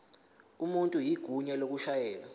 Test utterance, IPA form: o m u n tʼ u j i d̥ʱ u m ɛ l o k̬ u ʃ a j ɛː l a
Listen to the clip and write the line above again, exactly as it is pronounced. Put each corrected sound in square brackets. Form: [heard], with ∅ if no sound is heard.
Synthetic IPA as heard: [u] m u n tʼ u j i [ɡ̥ʱ] u [ɲ] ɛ l o k̬ u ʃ a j ɛː l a